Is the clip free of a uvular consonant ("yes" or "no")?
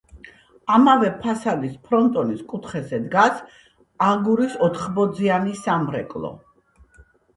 no